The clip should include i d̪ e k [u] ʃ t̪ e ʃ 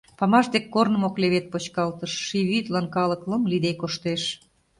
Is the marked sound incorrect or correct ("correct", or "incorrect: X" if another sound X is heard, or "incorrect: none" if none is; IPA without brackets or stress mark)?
incorrect: o